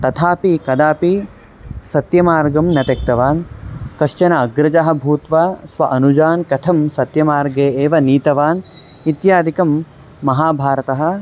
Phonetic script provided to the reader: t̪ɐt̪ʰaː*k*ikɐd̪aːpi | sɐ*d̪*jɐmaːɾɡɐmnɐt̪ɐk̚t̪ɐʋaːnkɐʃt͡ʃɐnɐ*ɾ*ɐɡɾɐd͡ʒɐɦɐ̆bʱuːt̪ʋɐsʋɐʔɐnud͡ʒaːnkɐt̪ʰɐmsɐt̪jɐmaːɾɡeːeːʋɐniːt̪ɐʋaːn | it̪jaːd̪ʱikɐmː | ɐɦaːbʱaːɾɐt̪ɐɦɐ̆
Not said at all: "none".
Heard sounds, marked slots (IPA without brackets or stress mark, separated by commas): p, t̪, none